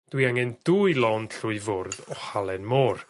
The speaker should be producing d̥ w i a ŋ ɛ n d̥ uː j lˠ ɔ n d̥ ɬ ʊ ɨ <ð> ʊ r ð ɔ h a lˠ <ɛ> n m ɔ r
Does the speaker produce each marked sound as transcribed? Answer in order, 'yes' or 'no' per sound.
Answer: no, yes

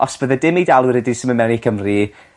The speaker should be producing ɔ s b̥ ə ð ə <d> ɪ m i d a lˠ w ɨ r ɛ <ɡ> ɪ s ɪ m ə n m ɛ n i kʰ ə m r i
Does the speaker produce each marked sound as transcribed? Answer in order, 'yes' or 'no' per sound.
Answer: yes, no

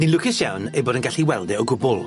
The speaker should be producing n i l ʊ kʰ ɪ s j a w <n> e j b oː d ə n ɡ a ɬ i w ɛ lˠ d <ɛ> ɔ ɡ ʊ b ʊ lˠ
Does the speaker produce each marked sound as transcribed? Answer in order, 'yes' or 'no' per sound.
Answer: yes, yes

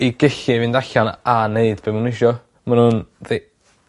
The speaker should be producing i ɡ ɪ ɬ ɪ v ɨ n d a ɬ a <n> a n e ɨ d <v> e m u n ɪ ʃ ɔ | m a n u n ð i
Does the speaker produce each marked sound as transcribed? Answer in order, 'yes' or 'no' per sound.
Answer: yes, no

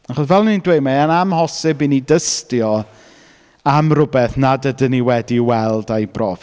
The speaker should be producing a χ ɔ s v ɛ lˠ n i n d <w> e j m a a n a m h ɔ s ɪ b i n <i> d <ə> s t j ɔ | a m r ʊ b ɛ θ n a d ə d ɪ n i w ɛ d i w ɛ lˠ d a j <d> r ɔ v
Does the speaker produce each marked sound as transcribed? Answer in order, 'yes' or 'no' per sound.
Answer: yes, yes, yes, no

